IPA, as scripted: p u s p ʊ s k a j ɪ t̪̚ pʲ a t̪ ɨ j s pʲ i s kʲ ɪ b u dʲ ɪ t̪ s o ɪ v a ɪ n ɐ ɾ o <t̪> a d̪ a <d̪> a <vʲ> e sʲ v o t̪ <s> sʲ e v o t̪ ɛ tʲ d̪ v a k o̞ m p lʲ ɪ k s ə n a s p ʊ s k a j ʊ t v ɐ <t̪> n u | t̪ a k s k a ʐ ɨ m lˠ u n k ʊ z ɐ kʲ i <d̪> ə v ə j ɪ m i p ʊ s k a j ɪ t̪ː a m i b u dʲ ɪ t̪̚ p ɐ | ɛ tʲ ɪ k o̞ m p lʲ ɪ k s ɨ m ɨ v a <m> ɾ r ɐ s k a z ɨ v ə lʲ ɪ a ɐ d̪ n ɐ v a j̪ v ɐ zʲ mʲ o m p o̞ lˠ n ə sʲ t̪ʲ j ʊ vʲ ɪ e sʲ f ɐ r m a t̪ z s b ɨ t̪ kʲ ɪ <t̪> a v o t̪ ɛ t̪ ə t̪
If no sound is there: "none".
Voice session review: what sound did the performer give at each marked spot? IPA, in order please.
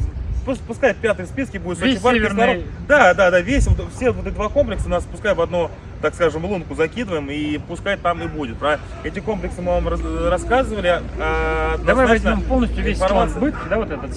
d̪, d̪, vʲ, f, d̪, d̪, m, d̪

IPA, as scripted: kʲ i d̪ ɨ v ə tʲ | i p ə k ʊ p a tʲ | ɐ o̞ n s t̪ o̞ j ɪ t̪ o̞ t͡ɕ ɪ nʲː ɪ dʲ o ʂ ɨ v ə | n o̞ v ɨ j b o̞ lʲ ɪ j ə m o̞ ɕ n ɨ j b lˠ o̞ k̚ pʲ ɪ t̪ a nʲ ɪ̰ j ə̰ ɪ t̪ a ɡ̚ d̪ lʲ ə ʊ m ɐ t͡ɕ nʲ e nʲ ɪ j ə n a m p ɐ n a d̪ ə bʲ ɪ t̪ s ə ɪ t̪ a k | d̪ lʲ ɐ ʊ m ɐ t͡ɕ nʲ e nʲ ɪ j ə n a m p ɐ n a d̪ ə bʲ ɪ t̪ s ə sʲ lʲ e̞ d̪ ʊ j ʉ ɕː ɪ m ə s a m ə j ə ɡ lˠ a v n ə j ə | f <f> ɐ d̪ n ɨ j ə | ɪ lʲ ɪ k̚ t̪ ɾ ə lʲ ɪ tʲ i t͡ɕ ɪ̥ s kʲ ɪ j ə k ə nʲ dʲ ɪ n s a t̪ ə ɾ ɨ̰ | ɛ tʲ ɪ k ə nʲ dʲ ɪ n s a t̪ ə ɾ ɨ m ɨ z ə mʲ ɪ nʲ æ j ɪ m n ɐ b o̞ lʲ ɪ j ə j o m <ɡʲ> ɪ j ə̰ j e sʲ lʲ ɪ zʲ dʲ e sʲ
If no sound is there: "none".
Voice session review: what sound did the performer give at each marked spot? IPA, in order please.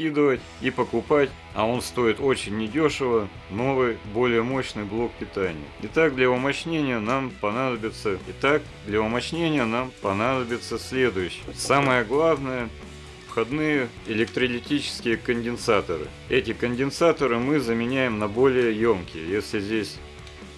x, kʲ

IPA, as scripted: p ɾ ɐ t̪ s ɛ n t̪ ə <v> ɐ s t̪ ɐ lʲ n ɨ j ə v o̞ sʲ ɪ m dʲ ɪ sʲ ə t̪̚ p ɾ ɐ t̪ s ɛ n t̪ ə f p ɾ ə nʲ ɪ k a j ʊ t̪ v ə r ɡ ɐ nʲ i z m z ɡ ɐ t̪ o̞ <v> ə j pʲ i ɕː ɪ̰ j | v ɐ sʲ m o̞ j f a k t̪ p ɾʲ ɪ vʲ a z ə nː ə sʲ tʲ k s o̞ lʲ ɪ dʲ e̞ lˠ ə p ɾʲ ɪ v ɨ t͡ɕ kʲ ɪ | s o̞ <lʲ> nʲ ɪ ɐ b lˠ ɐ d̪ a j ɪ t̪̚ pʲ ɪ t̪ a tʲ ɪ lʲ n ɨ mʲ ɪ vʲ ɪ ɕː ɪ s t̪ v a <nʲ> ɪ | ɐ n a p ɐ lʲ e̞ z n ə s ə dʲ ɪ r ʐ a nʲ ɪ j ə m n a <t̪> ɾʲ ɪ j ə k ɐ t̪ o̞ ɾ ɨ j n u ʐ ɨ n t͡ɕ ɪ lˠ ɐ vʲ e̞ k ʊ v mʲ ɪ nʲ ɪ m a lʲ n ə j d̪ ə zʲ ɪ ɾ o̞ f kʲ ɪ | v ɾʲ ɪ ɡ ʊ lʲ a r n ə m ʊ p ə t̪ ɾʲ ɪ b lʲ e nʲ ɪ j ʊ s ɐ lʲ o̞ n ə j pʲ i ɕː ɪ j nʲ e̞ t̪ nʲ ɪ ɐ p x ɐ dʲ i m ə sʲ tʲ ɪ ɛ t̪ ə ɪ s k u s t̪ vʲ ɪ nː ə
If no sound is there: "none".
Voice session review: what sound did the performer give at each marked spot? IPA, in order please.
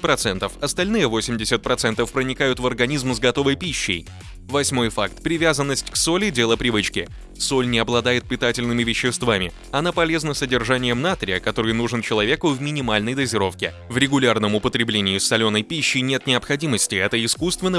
f, v, lʲ, mʲ, t̪

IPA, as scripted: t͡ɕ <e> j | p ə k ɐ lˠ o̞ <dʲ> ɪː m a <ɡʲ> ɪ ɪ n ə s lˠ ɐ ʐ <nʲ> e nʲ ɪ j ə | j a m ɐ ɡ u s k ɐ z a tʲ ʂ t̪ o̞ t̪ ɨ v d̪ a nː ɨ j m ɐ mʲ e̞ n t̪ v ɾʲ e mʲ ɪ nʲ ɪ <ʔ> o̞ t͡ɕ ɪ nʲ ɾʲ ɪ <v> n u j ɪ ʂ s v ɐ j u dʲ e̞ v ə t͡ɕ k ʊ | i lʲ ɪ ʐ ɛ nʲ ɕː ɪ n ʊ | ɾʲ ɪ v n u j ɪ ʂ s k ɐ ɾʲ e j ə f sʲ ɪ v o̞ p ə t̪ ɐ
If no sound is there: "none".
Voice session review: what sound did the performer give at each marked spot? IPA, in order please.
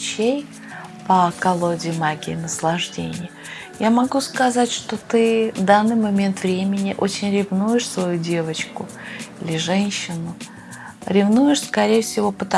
e, dʲ, ɡʲ, dʲ, ʔ, v

